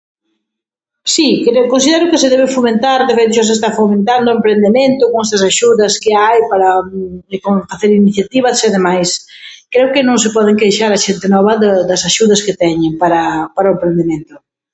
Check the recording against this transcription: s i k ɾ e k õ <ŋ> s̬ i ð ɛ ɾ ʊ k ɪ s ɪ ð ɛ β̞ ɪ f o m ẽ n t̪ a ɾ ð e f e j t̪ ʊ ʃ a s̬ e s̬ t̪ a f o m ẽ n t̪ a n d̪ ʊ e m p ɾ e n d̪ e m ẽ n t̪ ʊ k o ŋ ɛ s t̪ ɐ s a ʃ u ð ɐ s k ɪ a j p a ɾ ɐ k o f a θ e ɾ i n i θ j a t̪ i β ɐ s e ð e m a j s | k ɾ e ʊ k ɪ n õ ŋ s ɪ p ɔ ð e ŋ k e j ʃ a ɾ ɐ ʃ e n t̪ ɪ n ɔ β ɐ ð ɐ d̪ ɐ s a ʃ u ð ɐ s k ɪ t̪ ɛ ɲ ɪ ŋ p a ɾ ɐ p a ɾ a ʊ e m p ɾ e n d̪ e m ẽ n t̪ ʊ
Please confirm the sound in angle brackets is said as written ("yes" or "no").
no